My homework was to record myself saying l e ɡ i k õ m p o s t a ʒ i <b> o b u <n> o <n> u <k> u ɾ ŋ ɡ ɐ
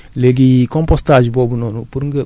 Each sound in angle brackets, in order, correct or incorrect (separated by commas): correct, correct, correct, incorrect